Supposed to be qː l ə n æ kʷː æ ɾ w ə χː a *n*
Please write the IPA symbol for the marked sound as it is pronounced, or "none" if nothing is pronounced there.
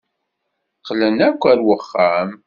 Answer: m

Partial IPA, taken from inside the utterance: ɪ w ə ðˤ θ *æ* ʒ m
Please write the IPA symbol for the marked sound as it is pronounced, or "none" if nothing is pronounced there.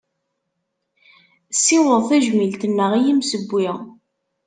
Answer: æ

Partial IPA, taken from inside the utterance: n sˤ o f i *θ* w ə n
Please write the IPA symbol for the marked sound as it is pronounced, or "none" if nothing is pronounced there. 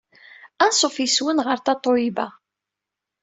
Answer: s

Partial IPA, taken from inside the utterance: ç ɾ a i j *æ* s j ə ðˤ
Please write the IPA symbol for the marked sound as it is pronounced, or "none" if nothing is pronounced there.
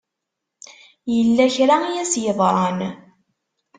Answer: æ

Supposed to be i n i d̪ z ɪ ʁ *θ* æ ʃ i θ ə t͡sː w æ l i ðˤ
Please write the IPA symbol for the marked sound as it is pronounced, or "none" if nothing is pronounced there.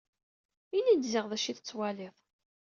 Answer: ð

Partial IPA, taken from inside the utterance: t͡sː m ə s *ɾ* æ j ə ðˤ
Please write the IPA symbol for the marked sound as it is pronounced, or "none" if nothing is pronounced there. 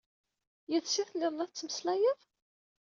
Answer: l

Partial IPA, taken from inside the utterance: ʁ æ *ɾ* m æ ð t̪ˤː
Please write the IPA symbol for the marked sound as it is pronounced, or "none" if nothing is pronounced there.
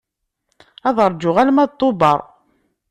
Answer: l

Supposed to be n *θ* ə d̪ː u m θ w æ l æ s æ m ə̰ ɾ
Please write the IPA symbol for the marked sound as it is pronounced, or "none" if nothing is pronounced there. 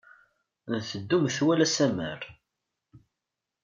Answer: θ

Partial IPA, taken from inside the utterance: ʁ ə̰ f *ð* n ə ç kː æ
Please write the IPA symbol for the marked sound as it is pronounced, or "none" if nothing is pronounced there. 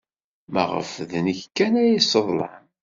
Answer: ð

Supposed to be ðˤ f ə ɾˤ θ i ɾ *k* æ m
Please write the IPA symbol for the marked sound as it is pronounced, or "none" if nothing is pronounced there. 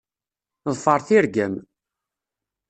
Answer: ɡ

